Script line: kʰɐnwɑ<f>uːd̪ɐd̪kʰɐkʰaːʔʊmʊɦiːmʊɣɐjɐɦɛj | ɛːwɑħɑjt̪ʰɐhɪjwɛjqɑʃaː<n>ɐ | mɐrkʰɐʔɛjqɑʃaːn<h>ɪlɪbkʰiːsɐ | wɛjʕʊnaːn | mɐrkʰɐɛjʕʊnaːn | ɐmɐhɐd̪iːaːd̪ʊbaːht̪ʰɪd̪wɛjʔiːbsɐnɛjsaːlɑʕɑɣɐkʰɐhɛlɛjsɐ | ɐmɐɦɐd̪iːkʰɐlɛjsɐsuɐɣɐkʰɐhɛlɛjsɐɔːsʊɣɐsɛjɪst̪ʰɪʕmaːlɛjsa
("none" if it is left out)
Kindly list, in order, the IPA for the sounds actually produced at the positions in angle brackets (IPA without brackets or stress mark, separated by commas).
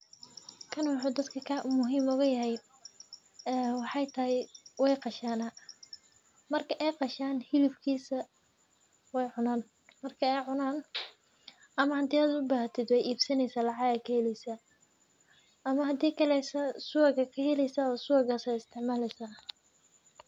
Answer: ħ, n, h